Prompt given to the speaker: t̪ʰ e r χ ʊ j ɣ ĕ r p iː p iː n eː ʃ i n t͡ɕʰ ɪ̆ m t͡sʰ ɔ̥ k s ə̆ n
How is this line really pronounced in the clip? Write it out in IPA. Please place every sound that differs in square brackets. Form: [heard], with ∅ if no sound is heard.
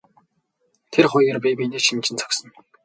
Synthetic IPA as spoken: t̪ʰ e r χ ʊ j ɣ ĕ r p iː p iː n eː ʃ i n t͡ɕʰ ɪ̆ [n] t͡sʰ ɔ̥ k s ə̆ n